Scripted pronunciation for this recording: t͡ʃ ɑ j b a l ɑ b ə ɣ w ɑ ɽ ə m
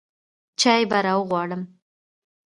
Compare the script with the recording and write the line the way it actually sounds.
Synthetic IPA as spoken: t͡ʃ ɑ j b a ɾ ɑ w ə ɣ w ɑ ɽ ə m